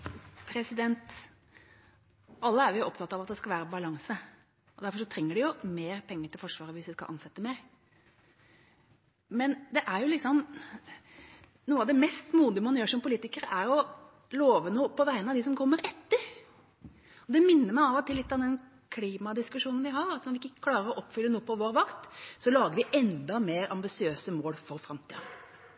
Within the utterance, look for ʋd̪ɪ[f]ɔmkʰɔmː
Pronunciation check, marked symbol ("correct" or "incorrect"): incorrect